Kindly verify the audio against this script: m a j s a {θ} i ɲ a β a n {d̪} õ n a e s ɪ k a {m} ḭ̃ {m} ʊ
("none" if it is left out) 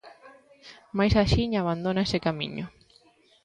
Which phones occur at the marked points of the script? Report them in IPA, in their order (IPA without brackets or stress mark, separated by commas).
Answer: ʃ, d̪, m, ɲ